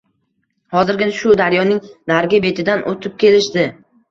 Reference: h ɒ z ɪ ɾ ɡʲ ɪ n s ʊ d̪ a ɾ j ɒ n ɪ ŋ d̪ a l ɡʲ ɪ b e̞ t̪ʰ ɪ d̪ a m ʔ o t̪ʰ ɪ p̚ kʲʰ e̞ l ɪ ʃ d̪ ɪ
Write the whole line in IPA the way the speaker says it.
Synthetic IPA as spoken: h ɒ z ɪ ɾ ɡʲ ɪ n ʃ ʊ d̪ a ɾ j ɒ n ɪ ŋ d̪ a ɾ ɡʲ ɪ b e̞ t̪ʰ ɪ d̪ a n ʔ o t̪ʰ ɪ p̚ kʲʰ e̞ l ɪ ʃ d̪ ɪ